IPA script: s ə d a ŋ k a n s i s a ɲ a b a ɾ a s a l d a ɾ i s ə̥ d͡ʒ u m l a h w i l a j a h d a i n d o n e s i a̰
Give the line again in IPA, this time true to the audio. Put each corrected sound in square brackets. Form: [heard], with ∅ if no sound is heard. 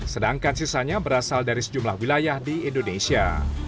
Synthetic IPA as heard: s ə d a ŋ k a n s i s a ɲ a b [ə] ɾ a s a l d a ɾ i s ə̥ d͡ʒ u m l a h w i l a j a h d [i] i n d o n e s i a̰